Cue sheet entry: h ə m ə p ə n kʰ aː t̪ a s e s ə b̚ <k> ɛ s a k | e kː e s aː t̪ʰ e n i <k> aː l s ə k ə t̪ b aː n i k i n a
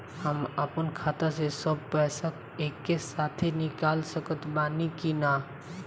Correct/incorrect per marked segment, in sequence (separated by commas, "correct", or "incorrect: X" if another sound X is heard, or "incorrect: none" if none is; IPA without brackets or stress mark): incorrect: p, correct